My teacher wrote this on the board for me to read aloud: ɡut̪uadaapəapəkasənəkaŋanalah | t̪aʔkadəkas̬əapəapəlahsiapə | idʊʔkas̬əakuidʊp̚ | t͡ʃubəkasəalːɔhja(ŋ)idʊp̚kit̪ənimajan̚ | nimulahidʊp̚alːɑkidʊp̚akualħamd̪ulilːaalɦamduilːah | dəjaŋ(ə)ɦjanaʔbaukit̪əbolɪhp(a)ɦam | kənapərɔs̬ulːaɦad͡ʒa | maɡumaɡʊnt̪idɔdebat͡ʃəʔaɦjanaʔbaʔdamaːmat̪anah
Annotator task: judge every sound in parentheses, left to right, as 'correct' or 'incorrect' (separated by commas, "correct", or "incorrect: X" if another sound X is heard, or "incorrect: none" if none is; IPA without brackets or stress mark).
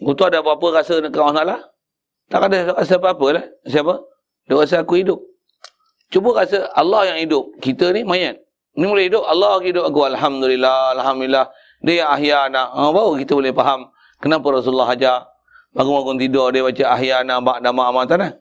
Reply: correct, incorrect: a, correct